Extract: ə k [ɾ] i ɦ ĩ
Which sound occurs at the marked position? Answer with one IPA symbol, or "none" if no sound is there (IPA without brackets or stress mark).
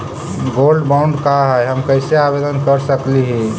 l